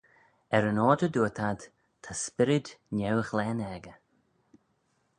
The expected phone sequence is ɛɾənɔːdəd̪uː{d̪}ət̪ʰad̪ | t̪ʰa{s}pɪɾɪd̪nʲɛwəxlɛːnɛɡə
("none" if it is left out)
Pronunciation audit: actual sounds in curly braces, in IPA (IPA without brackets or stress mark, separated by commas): none, s